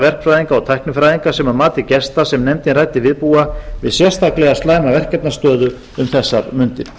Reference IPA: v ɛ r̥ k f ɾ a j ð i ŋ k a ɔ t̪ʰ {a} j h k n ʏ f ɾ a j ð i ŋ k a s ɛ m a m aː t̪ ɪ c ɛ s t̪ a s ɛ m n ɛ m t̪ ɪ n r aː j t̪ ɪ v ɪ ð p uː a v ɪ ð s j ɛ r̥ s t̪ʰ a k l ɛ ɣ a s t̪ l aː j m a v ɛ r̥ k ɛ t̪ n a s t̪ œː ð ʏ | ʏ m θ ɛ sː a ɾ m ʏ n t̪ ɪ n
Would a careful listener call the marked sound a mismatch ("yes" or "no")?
no